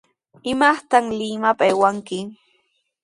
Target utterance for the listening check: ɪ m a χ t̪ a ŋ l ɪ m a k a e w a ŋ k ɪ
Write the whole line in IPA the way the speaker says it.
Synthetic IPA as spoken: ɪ m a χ t̪ a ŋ l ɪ m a p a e w a ŋ k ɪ